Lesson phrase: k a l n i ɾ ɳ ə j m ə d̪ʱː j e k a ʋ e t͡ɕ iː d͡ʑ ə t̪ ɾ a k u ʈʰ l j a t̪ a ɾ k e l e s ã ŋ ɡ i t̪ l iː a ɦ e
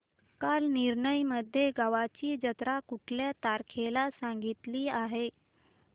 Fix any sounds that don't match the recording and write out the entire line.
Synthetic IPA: k a l n i ɾ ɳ ə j m ə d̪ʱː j e ɡ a ʋ a t͡ɕ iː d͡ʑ ə t̪ ɾ a k u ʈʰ l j a t̪ a ɾ kʰ e l a s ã ŋ ɡ i t̪ l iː a ɦ e